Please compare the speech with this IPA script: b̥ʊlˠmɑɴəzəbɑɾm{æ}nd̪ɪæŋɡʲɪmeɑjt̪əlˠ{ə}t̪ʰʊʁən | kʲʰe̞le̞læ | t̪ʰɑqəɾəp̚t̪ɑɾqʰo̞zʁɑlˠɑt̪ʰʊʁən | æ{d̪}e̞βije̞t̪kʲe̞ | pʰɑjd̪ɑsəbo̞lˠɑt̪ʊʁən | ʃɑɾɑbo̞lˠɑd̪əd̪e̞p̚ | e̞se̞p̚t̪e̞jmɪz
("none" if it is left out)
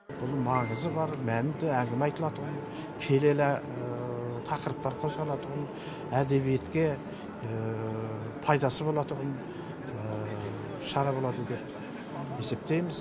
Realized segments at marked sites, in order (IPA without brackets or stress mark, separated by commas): æ, ɑ, d̪